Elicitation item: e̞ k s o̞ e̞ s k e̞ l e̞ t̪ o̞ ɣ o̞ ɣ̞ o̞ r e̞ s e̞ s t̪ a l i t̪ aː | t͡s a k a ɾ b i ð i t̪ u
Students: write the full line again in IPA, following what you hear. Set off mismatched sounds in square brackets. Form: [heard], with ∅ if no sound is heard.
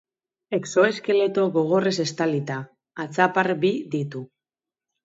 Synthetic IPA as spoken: e̞ k s o̞ e̞ s k e̞ l e̞ t̪ o̞ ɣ o̞ ɣ̞ o̞ r e̞ s e̞ s t̪ a l i t̪ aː | t͡s a [p] a ɾ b i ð i t̪ u